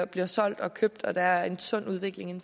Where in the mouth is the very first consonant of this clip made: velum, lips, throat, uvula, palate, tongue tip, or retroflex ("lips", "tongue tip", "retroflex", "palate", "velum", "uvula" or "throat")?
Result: lips